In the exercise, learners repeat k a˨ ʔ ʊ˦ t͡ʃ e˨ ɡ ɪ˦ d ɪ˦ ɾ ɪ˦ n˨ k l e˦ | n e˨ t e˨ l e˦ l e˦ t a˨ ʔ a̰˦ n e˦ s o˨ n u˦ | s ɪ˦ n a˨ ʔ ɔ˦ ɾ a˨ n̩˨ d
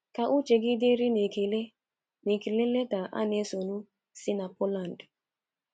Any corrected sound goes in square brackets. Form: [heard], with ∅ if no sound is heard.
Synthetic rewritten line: k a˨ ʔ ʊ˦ t͡ʃ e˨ ɡ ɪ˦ d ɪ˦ ɾ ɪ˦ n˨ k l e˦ | n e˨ [k] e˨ l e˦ l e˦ t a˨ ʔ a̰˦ n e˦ s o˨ n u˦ | s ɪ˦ n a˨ [p] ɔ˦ [l] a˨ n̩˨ d

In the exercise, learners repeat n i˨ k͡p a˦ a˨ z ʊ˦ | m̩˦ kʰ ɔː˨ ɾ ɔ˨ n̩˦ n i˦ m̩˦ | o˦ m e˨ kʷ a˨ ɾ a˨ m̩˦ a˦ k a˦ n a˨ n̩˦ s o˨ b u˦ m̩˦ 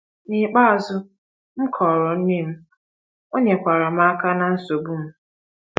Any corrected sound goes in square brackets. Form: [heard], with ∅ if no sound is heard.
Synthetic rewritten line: n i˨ k͡p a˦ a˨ z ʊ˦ | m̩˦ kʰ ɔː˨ ɾ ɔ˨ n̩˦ n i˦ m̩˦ | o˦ [ɲ] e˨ kʷ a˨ ɾ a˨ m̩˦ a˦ k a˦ n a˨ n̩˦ s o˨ b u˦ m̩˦

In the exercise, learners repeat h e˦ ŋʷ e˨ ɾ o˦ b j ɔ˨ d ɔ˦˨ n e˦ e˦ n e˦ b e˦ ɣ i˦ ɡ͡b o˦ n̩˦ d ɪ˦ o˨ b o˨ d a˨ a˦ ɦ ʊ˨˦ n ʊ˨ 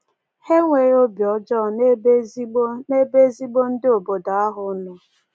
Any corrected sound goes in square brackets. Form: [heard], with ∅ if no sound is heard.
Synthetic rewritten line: h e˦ ŋʷ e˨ ɾ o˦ b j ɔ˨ [d͡ʒ] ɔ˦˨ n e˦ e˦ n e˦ b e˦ [z] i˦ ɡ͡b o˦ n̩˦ d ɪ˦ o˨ b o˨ d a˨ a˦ ɦ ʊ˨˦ n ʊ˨

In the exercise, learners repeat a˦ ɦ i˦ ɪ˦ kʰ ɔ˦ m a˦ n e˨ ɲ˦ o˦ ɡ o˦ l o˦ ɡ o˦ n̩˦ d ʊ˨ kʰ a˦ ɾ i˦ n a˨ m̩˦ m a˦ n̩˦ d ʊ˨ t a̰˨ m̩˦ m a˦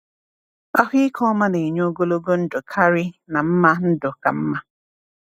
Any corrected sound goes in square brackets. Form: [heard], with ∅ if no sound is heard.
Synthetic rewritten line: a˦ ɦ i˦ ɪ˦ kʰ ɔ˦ m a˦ n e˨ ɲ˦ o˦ ɡ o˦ l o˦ ɡ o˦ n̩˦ d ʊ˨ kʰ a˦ ɾ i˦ n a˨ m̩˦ m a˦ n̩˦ d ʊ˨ [k] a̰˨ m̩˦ m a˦

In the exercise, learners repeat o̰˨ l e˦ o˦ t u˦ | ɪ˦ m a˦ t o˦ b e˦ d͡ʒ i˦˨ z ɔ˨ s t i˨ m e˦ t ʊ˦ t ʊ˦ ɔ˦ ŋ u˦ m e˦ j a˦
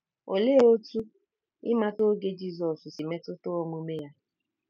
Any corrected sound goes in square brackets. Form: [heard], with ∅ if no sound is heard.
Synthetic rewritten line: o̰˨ l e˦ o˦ t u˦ | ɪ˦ m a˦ t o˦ [ɡ] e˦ d͡ʒ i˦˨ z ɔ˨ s [s] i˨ m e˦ t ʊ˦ t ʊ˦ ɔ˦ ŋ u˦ m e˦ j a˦

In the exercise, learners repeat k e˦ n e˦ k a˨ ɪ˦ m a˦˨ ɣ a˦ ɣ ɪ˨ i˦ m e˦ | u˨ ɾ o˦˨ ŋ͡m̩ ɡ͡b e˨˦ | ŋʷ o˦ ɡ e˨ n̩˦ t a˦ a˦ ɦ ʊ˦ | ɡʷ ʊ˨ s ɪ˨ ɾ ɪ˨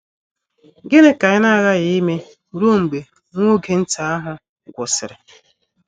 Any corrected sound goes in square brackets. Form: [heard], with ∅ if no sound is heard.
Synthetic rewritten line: [ɡ] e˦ n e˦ k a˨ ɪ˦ [n] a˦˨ ɣ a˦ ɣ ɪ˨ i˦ m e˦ | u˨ ɾ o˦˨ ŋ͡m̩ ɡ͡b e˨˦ | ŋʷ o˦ ɡ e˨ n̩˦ t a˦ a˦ ɦ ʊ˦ | ɡʷ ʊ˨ s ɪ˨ ɾ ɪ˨

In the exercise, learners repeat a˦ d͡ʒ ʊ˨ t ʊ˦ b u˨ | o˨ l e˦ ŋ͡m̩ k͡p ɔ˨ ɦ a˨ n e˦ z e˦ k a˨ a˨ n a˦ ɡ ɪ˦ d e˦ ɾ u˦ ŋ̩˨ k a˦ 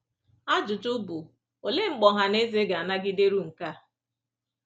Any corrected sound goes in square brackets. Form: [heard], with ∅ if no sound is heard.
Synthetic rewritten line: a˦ d͡ʒ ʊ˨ t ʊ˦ b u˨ | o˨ l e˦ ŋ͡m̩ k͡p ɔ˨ ɦ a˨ n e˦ z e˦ [ɡ] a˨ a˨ n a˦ ɡ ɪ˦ d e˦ ɾ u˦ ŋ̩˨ k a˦

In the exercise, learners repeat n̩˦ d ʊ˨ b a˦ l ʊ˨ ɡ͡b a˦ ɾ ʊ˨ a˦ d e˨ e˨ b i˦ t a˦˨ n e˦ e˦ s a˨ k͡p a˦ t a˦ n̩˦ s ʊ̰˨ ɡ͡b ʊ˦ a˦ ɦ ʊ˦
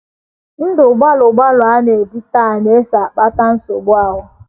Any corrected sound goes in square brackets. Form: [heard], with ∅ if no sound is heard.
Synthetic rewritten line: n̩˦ d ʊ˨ [ɡ͡b] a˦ l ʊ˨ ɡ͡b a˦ [l] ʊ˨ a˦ [n] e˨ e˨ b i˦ t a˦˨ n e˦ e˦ s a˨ k͡p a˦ t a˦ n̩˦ s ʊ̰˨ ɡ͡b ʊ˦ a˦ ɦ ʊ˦

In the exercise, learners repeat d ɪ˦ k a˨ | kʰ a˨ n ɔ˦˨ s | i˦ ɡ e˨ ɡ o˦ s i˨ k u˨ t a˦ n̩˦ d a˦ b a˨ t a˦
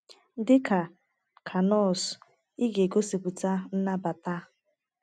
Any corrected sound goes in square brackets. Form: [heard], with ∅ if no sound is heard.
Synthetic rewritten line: d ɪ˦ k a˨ | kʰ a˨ n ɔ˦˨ s | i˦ ɡ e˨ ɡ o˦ s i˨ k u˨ t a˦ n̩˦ [n] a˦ b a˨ t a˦

